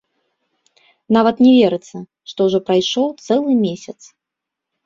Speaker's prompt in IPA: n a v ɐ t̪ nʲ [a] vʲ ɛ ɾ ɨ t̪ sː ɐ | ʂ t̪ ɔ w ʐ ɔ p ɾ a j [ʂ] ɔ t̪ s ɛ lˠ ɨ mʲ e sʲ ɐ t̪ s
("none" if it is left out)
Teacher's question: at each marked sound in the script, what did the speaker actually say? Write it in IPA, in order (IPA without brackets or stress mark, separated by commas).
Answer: ɛ, ʂ